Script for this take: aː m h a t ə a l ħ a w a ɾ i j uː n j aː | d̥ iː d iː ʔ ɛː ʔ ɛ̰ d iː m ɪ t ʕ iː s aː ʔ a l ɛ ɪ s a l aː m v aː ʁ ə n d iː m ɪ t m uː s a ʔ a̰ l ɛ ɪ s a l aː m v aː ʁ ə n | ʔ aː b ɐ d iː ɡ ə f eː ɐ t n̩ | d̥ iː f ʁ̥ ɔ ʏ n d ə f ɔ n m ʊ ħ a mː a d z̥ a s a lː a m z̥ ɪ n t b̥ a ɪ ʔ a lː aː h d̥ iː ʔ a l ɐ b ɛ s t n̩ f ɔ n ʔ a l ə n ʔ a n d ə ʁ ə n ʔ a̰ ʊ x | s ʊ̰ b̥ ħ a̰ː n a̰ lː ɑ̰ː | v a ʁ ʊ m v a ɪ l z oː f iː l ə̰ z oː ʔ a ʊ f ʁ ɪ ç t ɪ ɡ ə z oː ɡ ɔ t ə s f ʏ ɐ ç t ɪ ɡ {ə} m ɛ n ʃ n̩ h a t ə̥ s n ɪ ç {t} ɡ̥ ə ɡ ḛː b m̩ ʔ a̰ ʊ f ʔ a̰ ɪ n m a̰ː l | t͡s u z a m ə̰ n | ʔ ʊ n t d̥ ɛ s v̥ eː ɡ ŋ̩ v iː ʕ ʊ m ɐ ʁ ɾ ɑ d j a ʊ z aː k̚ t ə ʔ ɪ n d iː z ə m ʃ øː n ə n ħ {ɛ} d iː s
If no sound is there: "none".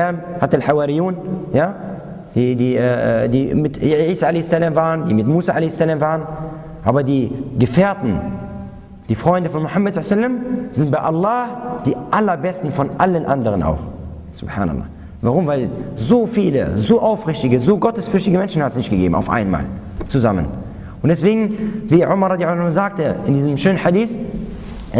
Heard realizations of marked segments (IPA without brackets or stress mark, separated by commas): ə, t, a